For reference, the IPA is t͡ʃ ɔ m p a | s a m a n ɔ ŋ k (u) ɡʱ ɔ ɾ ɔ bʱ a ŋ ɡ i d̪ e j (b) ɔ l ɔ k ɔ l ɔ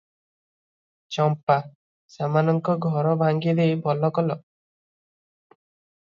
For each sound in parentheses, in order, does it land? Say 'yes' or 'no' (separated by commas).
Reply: no, yes